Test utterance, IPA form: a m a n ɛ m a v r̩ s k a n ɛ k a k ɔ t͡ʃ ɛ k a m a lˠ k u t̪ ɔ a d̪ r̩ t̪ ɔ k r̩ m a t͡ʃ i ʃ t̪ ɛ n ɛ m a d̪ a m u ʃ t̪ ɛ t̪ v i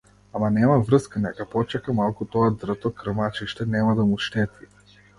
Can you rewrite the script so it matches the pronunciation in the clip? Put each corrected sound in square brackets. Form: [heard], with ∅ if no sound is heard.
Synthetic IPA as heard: a m a n ɛ m a v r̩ s k a n ɛ k a [p] ɔ t͡ʃ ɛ k a m a lˠ k u t̪ ɔ a d̪ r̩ t̪ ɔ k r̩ m a t͡ʃ i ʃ t̪ ɛ n ɛ m a d̪ a m u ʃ t̪ ɛ t̪ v i